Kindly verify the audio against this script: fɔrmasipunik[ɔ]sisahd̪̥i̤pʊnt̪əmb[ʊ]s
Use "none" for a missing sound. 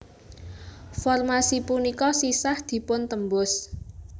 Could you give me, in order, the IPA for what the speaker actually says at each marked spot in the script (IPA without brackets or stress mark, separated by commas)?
ɔ, ʊ